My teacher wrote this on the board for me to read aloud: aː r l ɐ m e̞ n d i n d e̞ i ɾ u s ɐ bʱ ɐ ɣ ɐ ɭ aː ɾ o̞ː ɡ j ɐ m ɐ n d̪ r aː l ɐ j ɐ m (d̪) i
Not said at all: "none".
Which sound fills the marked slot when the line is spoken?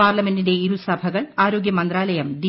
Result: d̪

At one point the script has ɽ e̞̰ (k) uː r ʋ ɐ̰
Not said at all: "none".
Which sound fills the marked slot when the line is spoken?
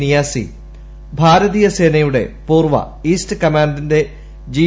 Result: p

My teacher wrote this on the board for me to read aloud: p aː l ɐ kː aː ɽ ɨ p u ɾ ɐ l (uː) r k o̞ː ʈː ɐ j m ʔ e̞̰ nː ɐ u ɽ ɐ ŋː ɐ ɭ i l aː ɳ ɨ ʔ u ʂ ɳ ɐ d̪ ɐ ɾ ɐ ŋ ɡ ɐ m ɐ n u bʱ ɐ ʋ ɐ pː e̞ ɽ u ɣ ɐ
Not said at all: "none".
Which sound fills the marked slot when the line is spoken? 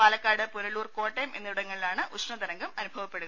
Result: uː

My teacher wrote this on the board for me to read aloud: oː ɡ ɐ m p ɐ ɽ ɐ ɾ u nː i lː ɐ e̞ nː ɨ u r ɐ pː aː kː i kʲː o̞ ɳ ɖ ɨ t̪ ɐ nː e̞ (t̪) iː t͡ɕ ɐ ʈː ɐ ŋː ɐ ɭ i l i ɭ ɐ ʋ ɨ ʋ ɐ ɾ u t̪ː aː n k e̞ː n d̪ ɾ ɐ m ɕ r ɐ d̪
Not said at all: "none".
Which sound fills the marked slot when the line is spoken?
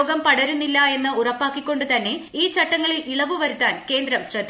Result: none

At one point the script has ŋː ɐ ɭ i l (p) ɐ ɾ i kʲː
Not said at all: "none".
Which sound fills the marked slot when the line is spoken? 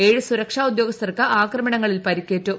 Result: p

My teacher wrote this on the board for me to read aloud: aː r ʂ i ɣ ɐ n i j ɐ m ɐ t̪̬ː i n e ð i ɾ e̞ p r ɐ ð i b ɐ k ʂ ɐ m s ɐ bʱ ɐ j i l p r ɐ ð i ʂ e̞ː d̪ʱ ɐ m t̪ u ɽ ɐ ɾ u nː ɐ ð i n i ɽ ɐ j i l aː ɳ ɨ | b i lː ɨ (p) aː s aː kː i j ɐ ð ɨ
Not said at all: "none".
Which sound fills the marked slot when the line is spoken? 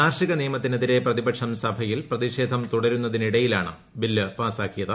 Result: p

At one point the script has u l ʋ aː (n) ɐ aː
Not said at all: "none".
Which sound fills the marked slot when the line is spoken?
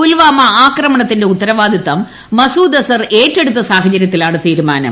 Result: m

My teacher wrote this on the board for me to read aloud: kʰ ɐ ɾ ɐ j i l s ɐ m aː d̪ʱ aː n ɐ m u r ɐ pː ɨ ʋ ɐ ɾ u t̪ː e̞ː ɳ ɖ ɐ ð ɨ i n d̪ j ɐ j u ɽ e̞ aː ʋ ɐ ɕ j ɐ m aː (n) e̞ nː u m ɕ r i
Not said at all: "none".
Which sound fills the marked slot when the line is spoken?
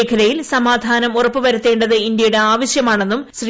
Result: ɳ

